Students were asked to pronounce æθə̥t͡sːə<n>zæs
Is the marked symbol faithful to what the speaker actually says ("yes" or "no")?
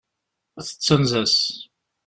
yes